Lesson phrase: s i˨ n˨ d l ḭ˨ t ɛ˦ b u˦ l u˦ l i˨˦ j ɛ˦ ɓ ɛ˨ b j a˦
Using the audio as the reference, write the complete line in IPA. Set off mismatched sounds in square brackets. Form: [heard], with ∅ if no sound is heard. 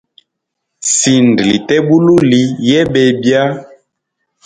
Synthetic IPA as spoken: s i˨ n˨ d l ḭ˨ t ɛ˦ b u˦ l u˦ l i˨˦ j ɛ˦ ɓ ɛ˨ b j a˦